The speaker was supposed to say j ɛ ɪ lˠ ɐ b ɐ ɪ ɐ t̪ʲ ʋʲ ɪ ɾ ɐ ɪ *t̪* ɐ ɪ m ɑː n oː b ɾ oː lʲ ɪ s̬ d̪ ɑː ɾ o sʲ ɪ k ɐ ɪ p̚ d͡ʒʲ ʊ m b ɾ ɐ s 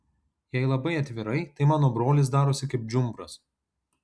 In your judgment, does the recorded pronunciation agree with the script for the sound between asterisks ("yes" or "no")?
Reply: yes